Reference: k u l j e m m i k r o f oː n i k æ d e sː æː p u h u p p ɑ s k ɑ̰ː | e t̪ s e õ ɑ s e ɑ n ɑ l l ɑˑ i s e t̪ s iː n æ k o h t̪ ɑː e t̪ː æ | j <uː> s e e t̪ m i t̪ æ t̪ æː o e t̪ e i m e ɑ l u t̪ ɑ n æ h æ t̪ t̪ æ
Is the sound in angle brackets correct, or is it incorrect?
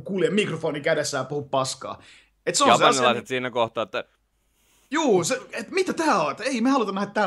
correct